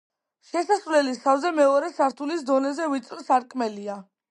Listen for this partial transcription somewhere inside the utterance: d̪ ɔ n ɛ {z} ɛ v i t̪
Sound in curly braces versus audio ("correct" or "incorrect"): correct